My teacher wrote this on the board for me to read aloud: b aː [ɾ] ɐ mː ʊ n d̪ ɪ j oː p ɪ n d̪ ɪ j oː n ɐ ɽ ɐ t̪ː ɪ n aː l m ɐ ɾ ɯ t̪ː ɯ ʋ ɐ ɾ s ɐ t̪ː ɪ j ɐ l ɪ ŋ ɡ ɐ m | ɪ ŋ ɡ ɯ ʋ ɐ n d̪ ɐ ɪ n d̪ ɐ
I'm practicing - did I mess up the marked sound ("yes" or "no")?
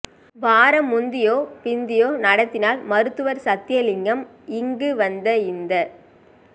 no